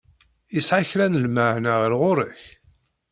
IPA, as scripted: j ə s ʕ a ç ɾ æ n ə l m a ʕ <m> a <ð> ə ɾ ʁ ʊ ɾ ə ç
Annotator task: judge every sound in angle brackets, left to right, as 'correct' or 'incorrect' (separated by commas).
incorrect, incorrect